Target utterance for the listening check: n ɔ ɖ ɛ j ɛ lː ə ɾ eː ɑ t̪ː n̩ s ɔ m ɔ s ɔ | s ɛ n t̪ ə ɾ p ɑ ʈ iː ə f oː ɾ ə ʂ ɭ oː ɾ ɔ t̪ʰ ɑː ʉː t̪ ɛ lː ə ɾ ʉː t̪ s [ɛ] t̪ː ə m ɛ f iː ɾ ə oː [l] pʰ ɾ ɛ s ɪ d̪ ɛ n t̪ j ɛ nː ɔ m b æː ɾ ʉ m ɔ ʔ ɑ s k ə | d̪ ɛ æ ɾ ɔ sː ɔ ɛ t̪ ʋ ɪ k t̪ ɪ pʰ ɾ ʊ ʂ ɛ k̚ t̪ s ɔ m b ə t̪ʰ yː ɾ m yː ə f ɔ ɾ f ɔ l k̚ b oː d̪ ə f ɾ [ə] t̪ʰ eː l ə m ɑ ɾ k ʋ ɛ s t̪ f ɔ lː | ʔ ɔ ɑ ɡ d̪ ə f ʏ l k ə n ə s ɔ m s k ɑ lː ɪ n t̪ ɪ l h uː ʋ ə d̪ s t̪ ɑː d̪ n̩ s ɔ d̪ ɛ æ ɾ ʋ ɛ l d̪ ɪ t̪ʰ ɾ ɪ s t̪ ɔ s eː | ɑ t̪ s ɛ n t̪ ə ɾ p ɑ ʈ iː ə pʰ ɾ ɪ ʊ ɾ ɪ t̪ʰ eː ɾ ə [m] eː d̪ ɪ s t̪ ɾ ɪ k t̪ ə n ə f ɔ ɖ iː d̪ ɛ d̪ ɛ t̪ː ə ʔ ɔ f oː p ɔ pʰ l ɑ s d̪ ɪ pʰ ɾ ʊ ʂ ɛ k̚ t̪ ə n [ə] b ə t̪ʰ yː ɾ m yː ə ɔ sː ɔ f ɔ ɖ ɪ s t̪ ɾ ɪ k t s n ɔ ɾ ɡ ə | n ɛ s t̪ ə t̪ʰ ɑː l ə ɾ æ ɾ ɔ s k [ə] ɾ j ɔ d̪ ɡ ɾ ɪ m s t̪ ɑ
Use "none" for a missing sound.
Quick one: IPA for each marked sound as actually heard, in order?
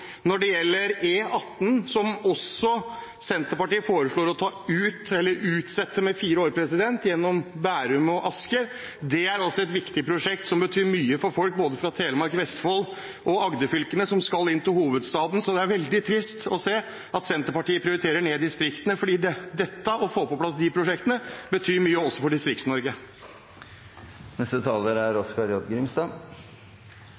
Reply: ɛ, ɾ, ɑ, ɳ, ə, ɑ

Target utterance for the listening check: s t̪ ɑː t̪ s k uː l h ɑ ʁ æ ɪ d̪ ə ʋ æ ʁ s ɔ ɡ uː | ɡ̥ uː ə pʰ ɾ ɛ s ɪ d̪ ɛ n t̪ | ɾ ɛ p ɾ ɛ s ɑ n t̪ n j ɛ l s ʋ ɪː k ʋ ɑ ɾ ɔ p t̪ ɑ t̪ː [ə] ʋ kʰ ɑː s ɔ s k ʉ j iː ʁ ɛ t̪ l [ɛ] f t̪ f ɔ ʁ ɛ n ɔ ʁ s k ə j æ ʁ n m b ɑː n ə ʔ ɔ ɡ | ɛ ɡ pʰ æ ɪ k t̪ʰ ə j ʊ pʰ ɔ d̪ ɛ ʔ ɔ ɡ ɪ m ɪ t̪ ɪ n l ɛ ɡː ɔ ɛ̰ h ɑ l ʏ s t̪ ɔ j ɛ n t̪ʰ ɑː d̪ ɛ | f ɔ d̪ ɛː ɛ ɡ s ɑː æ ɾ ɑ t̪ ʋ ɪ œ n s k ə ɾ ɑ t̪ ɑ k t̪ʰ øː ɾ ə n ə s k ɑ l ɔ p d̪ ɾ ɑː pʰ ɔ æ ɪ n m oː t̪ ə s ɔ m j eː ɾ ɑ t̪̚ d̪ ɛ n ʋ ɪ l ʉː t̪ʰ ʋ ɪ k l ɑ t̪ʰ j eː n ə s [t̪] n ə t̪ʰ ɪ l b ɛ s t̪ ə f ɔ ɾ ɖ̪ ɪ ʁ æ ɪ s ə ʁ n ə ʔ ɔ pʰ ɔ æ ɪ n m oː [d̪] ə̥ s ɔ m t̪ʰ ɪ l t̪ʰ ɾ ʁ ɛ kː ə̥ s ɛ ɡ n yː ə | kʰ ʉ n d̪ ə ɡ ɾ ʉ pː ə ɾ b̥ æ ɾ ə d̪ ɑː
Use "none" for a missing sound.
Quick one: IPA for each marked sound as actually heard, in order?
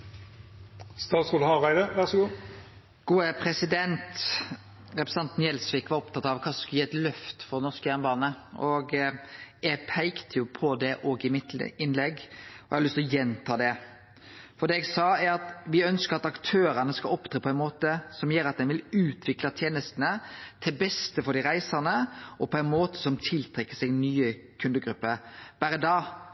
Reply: ɑ, œ, t̪, t̪

